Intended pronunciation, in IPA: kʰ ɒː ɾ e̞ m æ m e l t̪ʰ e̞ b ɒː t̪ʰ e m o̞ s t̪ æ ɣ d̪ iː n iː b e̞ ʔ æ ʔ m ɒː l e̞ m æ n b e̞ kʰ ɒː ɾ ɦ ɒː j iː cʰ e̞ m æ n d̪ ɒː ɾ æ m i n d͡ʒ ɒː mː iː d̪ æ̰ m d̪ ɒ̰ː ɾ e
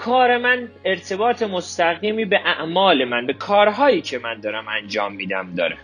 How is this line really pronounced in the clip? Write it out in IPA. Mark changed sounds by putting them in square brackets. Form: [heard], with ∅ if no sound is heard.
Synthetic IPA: kʰ ɒː ɾ e̞ m æ [n] e [ɾ] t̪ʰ e̞ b ɒː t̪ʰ e m o̞ s t̪ æ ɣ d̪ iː [m] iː b e̞ ʔ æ ʔ m ɒː l e̞ m æ n b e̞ kʰ ɒː ɾ ɦ ɒː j iː cʰ e̞ m æ n d̪ ɒː ɾ æ m [æ] n d͡ʒ ɒː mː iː d̪ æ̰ m d̪ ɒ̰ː ɾ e